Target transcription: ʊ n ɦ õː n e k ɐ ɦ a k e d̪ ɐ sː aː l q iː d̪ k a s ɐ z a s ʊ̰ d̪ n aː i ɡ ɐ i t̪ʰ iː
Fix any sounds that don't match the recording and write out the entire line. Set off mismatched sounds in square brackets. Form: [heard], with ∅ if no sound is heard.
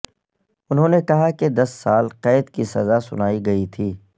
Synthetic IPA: ʊ n ɦ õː n e k ɐ ɦ a k e d̪ ɐ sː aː l q [ɛː] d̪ k [i] s ɐ z a s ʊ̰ [∅] n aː i ɡ ɐ i t̪ʰ iː